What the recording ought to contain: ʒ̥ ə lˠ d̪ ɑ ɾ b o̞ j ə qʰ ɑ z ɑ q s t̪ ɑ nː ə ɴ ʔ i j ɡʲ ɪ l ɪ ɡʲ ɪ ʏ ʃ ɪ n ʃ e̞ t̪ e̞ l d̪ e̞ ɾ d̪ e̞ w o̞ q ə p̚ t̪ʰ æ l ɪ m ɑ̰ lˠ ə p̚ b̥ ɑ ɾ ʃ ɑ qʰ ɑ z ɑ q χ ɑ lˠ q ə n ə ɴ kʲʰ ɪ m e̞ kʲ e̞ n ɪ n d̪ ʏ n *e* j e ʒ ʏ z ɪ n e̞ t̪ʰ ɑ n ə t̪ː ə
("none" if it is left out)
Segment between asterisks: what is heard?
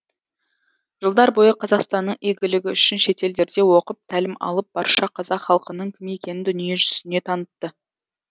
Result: i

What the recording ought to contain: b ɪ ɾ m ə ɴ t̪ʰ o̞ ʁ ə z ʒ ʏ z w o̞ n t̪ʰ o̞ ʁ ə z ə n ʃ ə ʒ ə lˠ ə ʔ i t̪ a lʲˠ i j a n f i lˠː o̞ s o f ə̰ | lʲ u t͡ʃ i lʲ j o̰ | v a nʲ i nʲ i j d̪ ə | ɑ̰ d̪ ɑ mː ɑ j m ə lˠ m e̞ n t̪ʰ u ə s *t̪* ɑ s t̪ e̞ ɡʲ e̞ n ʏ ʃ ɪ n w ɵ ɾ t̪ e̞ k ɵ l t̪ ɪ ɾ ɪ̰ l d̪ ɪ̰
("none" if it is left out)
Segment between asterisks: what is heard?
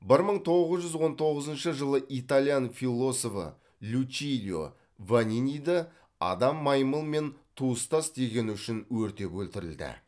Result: t̪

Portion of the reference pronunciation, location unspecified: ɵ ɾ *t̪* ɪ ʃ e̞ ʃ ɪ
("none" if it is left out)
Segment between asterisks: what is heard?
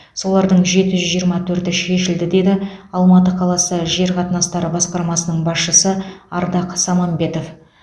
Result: t̪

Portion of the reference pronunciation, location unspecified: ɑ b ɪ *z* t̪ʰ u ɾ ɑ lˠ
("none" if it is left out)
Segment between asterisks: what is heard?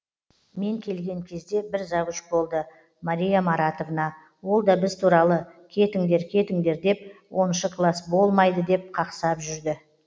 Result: z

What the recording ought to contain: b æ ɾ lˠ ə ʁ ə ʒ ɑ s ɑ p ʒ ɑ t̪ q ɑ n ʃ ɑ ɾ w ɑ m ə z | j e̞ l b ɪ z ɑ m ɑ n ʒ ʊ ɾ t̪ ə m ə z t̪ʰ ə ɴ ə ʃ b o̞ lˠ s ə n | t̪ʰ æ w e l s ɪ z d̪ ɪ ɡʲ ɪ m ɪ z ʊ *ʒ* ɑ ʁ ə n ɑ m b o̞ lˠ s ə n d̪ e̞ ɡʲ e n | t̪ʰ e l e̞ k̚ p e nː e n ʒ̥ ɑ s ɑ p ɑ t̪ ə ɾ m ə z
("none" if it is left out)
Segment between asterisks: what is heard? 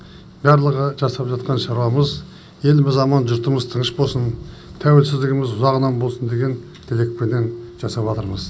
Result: z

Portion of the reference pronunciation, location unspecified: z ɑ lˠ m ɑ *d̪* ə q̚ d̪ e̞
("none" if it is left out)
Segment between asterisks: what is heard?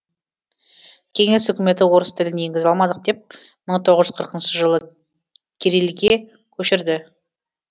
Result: d̪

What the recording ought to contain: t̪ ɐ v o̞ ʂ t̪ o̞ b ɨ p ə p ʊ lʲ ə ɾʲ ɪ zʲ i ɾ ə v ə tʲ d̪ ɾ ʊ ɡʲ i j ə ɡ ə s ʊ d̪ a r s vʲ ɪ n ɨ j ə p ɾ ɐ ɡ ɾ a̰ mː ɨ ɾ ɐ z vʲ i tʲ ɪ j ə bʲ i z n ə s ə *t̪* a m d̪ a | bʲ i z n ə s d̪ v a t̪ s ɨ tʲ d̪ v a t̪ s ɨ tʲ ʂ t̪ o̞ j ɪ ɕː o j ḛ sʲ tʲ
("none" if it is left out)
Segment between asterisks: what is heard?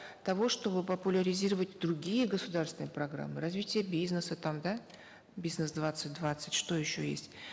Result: t̪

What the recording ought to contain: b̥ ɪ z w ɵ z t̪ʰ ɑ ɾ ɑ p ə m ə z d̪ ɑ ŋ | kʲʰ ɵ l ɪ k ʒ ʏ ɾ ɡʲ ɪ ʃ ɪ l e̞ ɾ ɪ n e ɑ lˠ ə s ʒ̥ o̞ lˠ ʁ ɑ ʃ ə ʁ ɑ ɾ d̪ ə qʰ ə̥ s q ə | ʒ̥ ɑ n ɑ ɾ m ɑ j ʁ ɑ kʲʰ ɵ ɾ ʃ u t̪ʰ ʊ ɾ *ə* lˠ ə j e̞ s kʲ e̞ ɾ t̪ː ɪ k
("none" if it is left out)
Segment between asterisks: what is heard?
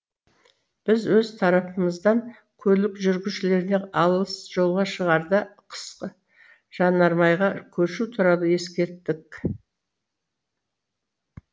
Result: ɑ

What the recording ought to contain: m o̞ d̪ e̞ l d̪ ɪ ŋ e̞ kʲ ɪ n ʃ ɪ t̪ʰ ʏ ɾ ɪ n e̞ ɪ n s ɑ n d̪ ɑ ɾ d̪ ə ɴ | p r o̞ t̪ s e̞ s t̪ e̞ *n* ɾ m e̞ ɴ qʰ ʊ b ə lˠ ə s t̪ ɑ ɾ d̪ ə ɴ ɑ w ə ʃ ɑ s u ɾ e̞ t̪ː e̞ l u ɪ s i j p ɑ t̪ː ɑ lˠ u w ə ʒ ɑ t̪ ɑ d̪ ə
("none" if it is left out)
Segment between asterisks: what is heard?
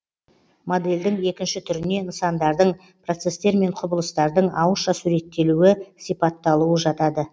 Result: none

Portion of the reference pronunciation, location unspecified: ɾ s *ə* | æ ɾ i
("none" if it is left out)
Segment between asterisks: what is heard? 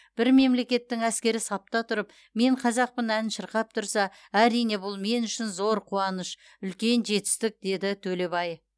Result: ɑ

